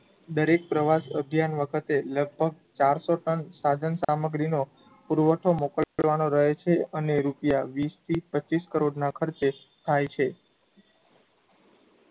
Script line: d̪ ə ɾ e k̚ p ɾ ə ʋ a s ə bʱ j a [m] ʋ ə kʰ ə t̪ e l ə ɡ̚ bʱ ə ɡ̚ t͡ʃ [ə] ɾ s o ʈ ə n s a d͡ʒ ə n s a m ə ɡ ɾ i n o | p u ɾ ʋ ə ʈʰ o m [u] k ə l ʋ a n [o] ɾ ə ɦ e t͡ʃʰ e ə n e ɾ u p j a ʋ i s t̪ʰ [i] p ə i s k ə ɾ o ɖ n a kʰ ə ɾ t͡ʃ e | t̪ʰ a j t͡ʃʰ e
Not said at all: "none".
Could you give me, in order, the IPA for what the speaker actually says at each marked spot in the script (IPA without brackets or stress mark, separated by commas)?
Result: n, a, o, o, i